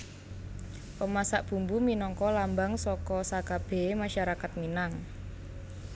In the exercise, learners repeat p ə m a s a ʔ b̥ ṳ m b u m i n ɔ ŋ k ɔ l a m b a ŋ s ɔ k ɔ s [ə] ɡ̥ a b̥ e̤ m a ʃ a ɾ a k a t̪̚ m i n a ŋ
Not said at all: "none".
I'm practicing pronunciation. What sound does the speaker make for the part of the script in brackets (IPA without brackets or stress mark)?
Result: a